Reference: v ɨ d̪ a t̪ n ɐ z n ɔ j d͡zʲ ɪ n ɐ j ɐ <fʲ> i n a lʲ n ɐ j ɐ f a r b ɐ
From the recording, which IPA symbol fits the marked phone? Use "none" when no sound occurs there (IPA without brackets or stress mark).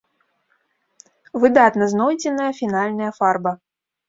fʲ